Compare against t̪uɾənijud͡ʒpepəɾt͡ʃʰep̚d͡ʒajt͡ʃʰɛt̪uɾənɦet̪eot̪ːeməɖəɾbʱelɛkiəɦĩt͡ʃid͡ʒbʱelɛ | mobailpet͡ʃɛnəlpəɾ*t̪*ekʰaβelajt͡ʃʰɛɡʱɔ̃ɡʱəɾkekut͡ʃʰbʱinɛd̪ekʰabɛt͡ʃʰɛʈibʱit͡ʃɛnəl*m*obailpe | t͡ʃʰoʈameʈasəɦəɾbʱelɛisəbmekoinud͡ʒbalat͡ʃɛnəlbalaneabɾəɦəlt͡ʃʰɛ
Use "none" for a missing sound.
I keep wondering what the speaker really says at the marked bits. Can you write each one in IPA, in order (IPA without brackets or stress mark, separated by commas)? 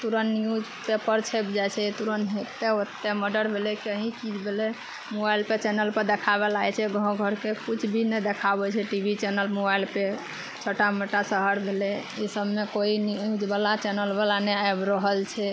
d̪, m